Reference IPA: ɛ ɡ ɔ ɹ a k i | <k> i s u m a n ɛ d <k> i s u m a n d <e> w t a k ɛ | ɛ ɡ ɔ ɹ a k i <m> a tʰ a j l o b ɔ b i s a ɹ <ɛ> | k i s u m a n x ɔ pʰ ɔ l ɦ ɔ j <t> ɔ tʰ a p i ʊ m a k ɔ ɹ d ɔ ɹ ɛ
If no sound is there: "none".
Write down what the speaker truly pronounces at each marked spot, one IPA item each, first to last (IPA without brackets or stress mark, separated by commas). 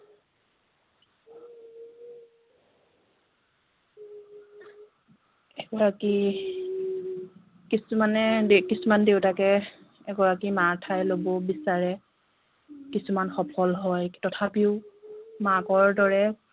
k, k, e, m, ɛ, t